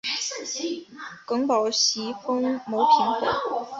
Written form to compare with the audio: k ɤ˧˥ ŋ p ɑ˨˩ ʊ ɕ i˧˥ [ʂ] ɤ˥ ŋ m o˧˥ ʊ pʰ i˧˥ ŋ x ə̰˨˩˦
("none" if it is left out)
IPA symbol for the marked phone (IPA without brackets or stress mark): f